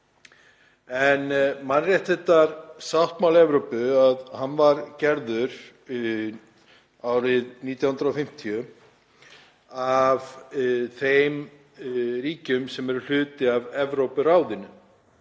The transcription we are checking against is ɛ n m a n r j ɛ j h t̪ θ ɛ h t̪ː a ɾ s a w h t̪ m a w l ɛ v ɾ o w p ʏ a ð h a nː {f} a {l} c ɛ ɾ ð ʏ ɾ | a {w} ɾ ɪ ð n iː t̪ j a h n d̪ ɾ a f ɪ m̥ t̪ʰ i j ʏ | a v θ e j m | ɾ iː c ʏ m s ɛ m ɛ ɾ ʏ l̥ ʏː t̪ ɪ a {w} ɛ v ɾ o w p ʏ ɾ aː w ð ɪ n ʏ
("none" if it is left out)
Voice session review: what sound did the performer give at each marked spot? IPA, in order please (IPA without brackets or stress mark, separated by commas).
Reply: v, ɾ, w, v